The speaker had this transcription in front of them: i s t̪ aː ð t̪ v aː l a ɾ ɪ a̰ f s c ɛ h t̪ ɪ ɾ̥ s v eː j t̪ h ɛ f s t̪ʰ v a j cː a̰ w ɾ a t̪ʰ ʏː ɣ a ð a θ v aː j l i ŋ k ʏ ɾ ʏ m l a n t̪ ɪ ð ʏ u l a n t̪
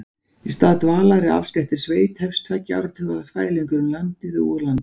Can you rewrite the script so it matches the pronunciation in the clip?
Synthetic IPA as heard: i s t̪ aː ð t̪ v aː l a ɾ ɪ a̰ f s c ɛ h t̪ ɪ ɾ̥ s v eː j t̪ h ɛ f s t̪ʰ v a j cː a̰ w ɾ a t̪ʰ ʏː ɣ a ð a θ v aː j l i ŋ k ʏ ɾ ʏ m l a n t̪ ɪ ð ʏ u l a n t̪